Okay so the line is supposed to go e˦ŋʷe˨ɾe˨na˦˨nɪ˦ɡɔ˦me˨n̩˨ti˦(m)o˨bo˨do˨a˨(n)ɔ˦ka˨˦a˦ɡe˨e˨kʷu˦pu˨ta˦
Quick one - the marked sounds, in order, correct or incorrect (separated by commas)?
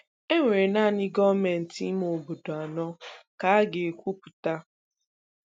correct, correct